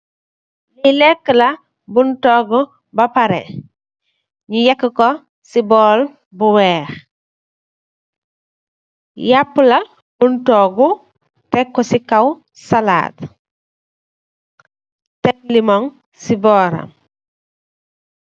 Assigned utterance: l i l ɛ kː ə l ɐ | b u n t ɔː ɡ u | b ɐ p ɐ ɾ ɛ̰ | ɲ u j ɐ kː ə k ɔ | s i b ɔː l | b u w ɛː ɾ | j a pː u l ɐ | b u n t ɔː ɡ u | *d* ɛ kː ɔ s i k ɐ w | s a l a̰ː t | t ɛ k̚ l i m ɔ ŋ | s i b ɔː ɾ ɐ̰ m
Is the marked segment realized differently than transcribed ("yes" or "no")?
yes